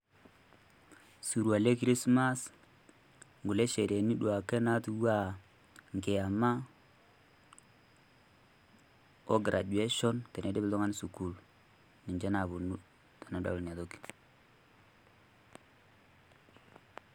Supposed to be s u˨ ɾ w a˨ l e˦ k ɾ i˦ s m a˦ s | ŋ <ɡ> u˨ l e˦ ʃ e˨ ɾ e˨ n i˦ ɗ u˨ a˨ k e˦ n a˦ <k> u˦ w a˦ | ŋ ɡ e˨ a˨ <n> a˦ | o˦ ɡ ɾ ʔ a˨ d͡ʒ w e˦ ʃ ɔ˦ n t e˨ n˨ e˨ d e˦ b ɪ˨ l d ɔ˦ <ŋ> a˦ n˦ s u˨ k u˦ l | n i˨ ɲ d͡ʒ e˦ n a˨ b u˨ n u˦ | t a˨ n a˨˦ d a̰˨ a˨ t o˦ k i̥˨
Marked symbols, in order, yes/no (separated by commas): yes, no, no, yes